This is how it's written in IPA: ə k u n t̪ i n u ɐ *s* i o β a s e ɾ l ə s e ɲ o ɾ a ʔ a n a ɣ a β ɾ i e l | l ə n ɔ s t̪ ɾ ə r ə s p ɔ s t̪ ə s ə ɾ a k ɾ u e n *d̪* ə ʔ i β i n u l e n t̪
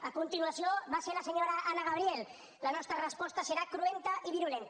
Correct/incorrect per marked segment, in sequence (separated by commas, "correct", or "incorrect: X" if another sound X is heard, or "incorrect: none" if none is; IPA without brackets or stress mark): correct, incorrect: t̪